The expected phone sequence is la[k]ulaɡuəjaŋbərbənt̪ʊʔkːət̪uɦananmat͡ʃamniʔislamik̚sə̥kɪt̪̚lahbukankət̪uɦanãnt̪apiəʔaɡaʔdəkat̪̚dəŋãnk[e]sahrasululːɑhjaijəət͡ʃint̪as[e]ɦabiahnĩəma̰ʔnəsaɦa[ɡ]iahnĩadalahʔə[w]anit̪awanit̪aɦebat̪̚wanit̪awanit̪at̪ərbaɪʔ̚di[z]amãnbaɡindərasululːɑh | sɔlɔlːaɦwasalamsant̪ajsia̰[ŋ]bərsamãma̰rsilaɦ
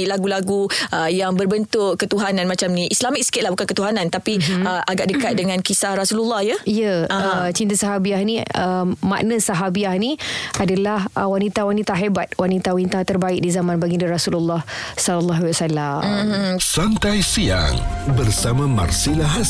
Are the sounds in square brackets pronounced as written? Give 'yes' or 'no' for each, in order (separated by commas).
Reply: no, no, no, no, yes, yes, yes